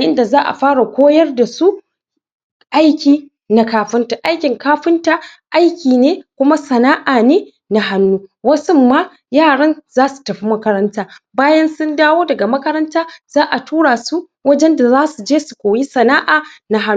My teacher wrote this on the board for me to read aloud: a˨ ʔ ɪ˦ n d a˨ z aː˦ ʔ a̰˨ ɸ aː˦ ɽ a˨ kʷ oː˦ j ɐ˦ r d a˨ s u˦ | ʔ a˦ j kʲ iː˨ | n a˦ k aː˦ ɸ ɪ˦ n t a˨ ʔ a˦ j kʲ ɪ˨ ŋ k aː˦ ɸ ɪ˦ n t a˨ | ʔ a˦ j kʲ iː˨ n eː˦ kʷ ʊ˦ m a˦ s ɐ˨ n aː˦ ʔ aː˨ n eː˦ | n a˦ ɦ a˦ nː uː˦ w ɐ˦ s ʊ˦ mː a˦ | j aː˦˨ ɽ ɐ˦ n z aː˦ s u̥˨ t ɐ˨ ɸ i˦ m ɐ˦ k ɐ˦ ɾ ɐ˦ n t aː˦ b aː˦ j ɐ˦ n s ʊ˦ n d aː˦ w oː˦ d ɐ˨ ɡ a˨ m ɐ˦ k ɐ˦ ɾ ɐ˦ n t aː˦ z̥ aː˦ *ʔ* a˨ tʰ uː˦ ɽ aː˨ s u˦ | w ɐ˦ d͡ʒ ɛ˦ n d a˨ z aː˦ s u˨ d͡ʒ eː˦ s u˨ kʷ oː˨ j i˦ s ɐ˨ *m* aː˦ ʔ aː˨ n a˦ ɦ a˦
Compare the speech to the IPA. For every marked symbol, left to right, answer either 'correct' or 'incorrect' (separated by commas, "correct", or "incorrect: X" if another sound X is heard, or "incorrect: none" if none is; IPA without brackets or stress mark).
correct, incorrect: n